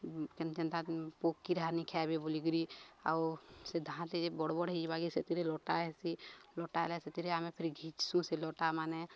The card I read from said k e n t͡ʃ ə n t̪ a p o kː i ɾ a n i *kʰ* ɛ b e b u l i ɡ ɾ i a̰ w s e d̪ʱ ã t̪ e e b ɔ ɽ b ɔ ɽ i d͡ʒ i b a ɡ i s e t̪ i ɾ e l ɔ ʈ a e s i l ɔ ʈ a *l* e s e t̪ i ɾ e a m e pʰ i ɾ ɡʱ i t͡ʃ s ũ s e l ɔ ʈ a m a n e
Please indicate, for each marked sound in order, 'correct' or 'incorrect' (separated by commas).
correct, correct